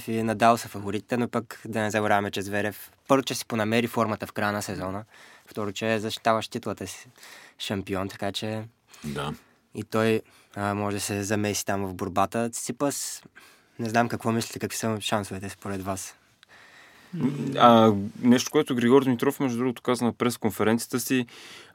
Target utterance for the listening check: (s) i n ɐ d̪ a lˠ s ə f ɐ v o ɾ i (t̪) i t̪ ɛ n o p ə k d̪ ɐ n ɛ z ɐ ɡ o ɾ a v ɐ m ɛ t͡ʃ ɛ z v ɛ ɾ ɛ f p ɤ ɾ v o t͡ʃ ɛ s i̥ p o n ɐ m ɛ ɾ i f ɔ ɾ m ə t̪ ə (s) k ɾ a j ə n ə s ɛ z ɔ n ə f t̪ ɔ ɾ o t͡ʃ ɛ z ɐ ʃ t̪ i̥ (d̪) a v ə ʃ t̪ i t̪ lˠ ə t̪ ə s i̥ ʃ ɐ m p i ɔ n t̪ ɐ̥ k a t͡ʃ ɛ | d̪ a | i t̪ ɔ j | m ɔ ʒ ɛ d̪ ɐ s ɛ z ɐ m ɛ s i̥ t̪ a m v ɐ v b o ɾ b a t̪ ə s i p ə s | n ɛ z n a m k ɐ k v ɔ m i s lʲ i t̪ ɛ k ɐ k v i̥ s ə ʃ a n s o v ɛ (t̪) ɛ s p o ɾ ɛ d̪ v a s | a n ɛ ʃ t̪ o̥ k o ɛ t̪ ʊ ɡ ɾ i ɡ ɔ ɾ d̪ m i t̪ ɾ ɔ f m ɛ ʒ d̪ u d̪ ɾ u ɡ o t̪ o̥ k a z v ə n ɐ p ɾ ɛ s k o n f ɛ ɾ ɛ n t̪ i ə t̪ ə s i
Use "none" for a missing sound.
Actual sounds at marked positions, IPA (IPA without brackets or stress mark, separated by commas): f, t̪, f, t̪, t̪